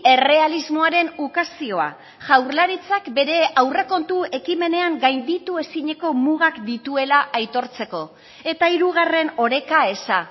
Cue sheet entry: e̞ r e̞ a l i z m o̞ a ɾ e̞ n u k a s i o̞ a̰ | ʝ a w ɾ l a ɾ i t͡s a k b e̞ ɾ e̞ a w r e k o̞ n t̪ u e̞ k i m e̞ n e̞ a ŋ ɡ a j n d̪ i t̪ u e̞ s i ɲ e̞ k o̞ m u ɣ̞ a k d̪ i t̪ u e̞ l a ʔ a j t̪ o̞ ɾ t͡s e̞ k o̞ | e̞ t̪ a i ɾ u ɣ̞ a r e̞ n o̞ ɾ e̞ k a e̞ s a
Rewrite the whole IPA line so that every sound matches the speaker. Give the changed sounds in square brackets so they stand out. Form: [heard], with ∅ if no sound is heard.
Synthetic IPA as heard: e̞ r e̞ a l i z m o̞ a ɾ e̞ n u k a s i o̞ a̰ | ʝ a w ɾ l a ɾ i t͡s a k b e̞ ɾ e̞ a w r e k o̞ n t̪ u e̞ k i m e̞ n e̞ a ŋ ɡ a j n d̪ i t̪ u e̞ s i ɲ e̞ k o̞ m u ɣ̞ a k d̪ i t̪ u e̞ l a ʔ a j t̪ o̞ ɾ t͡s e̞ k o̞ | e̞ t̪ a i ɾ u ɣ̞ a r e̞ n o̞ ɾ e̞ k a e̞ s a

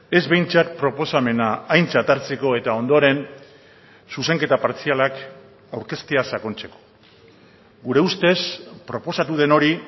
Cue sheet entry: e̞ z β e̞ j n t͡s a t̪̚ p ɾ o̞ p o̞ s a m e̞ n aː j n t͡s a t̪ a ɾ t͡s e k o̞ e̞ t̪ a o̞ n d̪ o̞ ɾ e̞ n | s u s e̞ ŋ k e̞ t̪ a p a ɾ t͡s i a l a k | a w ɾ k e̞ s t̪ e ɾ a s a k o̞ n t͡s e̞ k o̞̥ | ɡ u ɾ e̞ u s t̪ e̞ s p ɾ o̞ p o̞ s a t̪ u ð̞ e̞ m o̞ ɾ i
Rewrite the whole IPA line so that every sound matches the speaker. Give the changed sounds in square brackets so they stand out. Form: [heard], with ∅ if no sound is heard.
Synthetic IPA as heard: e̞ z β e̞ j n t͡s a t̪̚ p ɾ o̞ p o̞ s a m e̞ n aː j n t͡s a t̪ a ɾ t͡s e k o̞ e̞ t̪ a o̞ n d̪ o̞ ɾ e̞ n | s u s e̞ ŋ k e̞ t̪ a p a ɾ t͡s i a l a k | a w ɾ k e̞ s t̪ e [∅] a s a k o̞ n t͡s e̞ k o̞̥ | ɡ u ɾ e̞ u s t̪ e̞ s p ɾ o̞ p o̞ s a t̪ u ð̞ e̞ [n] o̞ ɾ i

